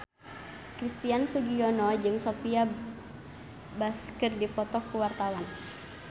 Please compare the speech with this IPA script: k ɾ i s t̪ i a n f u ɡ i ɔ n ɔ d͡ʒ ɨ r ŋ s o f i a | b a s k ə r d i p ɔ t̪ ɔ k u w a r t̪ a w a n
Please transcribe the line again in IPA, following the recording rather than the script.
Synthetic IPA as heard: k ɾ i s t̪ i a n f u ɡ i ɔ n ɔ d͡ʒ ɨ ŋ s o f i a | b a s k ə r d i p ɔ t̪ ɔ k u w a r t̪ a w a n